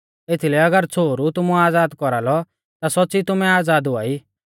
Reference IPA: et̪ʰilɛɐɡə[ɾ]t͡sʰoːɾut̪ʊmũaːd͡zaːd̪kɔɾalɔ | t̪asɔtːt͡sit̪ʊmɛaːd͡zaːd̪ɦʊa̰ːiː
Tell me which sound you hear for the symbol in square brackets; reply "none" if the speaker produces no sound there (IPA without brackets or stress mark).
ɾ